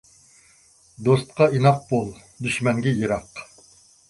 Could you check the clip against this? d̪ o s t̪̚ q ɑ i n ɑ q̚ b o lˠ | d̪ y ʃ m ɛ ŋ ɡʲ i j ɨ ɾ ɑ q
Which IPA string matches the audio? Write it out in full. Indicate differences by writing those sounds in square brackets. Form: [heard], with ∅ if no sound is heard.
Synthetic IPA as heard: d̪ o s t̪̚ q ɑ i n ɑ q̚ b o lˠ | d̪ y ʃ m ɛ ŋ ɡʲ [ɛ] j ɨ ɾ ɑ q